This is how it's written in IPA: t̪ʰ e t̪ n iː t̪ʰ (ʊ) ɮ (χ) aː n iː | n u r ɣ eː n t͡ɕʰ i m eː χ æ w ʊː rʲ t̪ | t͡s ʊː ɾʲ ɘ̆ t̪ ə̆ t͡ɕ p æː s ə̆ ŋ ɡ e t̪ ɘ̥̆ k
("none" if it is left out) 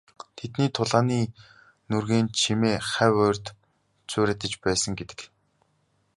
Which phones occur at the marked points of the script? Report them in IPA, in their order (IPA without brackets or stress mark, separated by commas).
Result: ʊ, ʁ